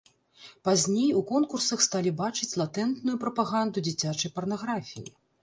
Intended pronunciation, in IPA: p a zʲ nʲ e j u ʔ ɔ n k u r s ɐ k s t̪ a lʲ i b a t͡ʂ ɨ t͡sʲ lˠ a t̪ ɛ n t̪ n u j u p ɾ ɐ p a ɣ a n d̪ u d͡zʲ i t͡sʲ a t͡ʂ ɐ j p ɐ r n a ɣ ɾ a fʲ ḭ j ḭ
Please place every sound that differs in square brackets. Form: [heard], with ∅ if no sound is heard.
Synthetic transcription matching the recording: p a zʲ nʲ e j u [k] ɔ n k u r s ɐ [x] s t̪ a lʲ i b a t͡ʂ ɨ t͡sʲ lˠ a t̪ ɛ n t̪ n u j u p ɾ ɐ p a ɣ a n d̪ u d͡zʲ i t͡sʲ a t͡ʂ ɐ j p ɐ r n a ɣ ɾ a fʲ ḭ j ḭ